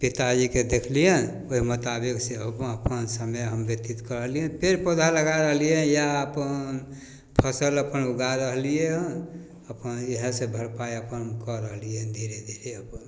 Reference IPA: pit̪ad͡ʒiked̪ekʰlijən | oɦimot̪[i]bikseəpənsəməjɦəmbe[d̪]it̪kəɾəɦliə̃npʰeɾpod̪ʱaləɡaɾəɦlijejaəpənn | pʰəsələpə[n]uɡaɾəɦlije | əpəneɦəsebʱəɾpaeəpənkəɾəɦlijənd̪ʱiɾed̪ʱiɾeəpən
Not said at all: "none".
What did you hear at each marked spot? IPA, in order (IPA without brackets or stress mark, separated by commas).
a, t̪, n